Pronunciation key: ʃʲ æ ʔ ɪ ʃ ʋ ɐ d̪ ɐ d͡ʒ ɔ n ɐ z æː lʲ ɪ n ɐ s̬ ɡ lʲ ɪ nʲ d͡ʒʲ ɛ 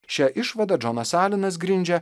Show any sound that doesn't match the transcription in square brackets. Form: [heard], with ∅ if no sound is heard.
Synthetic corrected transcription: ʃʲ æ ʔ ɪ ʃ ʋ ɐ d̪ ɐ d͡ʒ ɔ n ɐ [s] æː lʲ ɪ n ɐ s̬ ɡ [ɾʲ] ɪ nʲ d͡ʒʲ ɛ